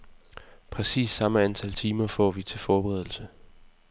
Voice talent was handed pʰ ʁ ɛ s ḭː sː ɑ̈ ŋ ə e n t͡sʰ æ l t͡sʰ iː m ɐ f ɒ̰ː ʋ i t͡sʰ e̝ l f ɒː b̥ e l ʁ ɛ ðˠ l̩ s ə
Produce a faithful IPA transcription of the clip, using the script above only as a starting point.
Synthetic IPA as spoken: pʰ ʁ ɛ s ḭː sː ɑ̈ m ə æ n t͡sʰ æ l t͡sʰ iː m ɐ f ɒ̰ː ʋ i t͡sʰ e̝ l f ɒː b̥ e ʁ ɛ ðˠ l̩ s ə